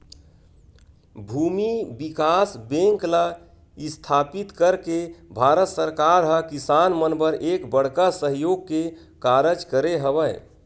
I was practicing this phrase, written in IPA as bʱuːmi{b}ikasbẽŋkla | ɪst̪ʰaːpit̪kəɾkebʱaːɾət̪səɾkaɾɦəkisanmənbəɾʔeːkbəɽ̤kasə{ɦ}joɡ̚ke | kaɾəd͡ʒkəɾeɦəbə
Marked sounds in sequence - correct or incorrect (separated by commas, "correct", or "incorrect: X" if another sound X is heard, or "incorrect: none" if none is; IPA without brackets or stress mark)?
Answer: correct, correct